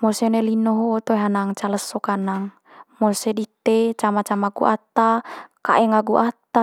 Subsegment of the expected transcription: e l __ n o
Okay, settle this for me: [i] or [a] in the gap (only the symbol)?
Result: i